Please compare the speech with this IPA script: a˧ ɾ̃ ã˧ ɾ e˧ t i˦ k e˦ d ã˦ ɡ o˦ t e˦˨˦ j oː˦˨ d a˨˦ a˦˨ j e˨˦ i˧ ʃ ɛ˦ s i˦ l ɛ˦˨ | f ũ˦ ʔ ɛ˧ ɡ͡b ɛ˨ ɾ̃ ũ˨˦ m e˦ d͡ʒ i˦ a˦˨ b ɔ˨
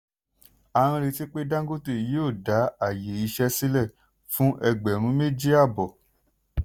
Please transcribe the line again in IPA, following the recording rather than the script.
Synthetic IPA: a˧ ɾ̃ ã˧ ɾ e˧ t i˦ k͡p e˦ d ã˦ ɡ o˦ t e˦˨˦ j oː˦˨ d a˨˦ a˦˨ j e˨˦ i˧ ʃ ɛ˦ s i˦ l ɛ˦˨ | f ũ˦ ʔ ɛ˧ ɡ͡b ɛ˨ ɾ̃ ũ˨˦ m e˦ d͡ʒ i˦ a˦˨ b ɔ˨